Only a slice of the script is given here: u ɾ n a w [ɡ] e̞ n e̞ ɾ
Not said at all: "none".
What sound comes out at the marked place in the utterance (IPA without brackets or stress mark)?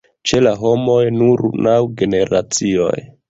ɡ